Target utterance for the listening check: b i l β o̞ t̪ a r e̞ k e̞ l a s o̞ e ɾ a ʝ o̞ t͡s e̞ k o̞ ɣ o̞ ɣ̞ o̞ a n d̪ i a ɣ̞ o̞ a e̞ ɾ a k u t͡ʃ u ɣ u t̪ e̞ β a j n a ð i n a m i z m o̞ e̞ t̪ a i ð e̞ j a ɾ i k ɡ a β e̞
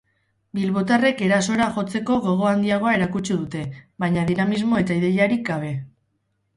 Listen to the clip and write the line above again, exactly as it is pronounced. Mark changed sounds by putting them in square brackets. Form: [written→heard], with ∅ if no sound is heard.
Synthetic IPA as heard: b i l β o̞ t̪ a r e̞ k e̞ [l→ɾ] a s o̞ e ɾ a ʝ o̞ t͡s e̞ k o̞ ɣ o̞ ɣ̞ o̞ a n d̪ i a ɣ̞ o̞ a e̞ ɾ a k u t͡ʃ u [ɣ→ð] u t̪ e̞ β a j [n→ɲ] a ð i n a m i z m o̞ e̞ t̪ a i ð e̞ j a ɾ i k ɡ a β e̞